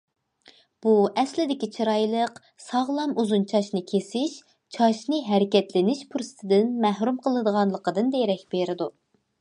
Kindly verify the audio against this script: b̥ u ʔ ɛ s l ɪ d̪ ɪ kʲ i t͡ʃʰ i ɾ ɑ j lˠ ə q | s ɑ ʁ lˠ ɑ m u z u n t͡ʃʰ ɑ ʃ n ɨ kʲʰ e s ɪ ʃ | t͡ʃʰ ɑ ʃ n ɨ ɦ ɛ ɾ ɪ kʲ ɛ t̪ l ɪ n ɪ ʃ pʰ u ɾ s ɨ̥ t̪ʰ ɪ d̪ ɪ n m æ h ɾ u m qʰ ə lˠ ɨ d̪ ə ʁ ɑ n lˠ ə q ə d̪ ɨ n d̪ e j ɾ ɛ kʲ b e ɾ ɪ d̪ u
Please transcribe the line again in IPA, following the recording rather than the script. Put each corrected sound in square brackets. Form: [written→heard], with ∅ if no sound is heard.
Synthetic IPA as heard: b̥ u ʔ ɛ s l ɪ d̪ ɪ kʲ i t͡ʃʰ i ɾ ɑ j lˠ ə q | s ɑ ʁ lˠ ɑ m u z u n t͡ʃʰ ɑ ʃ n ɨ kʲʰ e s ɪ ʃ | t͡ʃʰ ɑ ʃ n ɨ ɦ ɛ ɾ ɪ kʲ ɛ t̪ l ɪ n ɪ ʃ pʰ u ɾ s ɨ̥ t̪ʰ ɪ d̪ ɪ n m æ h ɾ u m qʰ ə lˠ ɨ d̪ ə ʁ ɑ n lˠ ə q ə d̪ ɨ n d̪ e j ɾ ɛ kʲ b e ɾ ɪ d̪ u

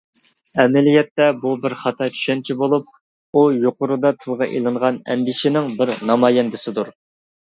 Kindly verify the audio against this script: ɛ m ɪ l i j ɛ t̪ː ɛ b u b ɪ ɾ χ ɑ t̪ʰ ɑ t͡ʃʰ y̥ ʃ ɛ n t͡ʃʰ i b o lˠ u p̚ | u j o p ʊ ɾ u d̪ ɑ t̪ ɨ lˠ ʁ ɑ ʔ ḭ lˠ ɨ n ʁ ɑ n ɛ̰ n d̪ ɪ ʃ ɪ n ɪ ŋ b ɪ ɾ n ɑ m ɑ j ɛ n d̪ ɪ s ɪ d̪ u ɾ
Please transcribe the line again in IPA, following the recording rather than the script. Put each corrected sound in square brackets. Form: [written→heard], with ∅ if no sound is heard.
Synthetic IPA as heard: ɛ m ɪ l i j ɛ t̪ː ɛ b u b ɪ ɾ χ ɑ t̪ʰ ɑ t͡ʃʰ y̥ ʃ ɛ n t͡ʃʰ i b o lˠ u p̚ | u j o [p→q] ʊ ɾ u d̪ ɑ [t̪→t̪ʰ] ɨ lˠ ʁ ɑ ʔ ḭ lˠ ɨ [n→ɴ] ʁ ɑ n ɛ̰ n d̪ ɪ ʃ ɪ n ɪ ŋ b ɪ ɾ n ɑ m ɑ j ɛ n d̪ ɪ s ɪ d̪ u ɾ

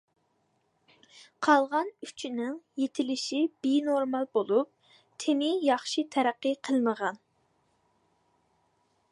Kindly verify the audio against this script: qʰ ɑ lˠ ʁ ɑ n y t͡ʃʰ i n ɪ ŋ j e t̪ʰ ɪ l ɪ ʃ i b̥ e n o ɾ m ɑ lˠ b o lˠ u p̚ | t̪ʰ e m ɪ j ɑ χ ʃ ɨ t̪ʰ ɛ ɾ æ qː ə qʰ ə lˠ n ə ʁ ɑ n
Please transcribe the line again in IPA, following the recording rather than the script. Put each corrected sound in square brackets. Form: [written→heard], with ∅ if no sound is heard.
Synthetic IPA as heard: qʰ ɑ lˠ ʁ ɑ n y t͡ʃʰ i n ɪ ŋ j e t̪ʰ ɪ l ɪ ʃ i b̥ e n o ɾ m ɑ lˠ b o lˠ u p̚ | t̪ʰ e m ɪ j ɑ χ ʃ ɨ t̪ʰ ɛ ɾ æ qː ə qʰ ə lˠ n ə ʁ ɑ n

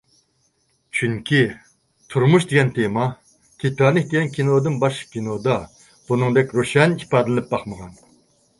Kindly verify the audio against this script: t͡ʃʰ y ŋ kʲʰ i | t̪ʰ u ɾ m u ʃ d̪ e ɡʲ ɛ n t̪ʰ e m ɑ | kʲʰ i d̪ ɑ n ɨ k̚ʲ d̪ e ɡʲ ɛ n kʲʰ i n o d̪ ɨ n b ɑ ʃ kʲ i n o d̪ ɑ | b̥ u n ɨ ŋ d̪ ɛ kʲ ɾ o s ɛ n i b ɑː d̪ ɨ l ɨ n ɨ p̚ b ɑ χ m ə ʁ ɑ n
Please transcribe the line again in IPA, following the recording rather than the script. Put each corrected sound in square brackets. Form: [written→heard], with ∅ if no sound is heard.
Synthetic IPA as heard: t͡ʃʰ y ŋ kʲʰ i | t̪ʰ u ɾ m u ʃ d̪ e ɡʲ ɛ n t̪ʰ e m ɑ | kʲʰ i [d̪→t̪] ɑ n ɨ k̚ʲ d̪ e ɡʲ ɛ n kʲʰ i n o d̪ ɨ n b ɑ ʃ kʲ i n o d̪ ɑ | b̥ u n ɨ ŋ d̪ ɛ kʲ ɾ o [s→ʃ] ɛ n i [b→p] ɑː d̪ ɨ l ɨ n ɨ p̚ b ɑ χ m ə ʁ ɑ n

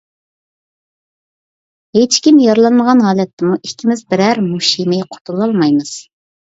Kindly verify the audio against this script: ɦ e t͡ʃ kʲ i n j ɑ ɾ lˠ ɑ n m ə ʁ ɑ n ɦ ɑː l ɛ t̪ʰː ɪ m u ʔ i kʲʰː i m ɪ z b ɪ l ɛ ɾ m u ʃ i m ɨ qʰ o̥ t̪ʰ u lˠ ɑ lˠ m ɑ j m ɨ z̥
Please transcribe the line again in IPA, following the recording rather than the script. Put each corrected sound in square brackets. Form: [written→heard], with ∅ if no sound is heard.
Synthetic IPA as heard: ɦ e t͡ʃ kʲ i [n→m] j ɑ ɾ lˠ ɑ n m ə ʁ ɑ n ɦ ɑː l ɛ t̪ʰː ɪ m u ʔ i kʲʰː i m ɪ z b ɪ [l→ɾ] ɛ ɾ m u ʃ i m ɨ qʰ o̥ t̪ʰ u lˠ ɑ lˠ m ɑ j m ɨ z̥

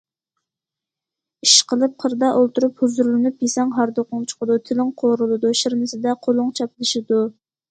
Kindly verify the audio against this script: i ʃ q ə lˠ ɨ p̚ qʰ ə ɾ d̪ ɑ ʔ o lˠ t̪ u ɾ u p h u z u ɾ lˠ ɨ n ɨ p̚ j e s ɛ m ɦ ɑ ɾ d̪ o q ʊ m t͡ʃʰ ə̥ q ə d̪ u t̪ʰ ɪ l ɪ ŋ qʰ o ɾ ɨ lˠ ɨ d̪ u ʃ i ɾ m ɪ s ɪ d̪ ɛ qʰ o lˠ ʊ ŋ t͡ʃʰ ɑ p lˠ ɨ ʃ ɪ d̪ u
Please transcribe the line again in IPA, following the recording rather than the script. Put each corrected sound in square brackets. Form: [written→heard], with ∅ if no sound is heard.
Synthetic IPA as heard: i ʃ q ə lˠ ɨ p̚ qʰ ə ɾ d̪ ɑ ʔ o lˠ t̪ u ɾ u p h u z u ɾ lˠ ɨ n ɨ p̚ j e s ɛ [m→ŋ] ɦ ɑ ɾ d̪ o q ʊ [m→ŋ] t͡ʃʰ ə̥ q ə d̪ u t̪ʰ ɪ l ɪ ŋ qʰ o ɾ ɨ lˠ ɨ d̪ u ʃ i ɾ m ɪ s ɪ d̪ ɛ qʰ o lˠ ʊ ŋ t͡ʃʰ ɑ p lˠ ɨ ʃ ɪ d̪ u

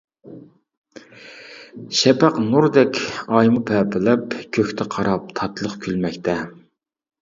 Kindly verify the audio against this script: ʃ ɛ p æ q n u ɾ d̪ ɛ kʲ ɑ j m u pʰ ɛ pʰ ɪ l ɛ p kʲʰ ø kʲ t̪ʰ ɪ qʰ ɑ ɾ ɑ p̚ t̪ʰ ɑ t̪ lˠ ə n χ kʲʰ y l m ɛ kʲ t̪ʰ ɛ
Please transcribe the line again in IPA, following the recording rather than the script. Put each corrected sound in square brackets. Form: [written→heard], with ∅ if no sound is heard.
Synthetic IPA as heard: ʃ ɛ p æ q n u ɾ d̪ ɛ kʲ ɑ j m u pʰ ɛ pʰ ɪ l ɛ p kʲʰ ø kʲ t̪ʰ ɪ qʰ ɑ ɾ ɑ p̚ t̪ʰ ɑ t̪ lˠ ə [n→∅] χ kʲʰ y l m ɛ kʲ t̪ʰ ɛ

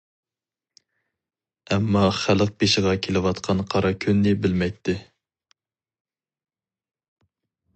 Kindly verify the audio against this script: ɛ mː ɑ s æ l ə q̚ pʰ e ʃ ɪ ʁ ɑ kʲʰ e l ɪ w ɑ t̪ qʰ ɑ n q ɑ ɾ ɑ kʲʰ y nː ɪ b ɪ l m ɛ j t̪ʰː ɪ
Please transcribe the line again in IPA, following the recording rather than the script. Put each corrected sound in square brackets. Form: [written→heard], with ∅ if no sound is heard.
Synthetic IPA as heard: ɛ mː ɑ [s→χ] æ l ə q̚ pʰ e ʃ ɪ ʁ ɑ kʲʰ e l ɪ w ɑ t̪ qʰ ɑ n [q→qʰ] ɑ ɾ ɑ kʲʰ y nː ɪ b ɪ l m ɛ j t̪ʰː ɪ

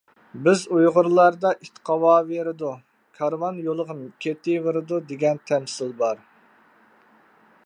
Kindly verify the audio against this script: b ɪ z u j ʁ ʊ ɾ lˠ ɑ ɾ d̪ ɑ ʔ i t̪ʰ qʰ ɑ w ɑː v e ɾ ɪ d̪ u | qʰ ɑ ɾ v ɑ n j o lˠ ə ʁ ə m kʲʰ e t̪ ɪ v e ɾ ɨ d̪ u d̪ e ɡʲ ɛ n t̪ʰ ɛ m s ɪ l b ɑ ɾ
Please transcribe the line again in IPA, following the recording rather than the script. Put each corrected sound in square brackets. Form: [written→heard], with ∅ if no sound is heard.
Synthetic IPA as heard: b ɪ z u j ʁ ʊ ɾ lˠ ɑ ɾ d̪ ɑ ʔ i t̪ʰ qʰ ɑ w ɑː v e ɾ ɪ d̪ u | [qʰ→kʰ] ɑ ɾ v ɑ n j o lˠ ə ʁ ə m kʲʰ e t̪ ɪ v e ɾ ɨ d̪ u d̪ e ɡʲ ɛ n t̪ʰ ɛ m s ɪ l b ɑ ɾ

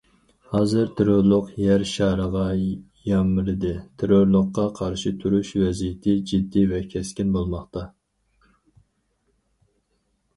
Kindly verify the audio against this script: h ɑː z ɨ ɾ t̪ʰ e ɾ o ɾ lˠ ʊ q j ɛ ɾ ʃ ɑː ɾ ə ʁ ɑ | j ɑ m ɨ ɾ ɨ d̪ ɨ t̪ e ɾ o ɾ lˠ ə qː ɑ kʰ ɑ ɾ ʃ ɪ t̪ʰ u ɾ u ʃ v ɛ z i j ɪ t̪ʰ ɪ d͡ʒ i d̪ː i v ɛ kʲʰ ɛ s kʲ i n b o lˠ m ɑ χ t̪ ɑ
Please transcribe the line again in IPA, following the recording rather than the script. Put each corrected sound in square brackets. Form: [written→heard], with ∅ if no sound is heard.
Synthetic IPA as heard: h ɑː z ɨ ɾ t̪ʰ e ɾ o ɾ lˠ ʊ q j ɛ ɾ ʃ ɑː ɾ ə ʁ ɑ | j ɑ m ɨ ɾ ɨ d̪ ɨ [t̪→t̪ʰ] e ɾ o ɾ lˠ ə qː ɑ [kʰ→qʰ] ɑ ɾ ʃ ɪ t̪ʰ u ɾ u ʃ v ɛ z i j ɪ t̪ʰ ɪ d͡ʒ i d̪ː i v ɛ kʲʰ ɛ s kʲ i n b o lˠ m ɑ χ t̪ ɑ

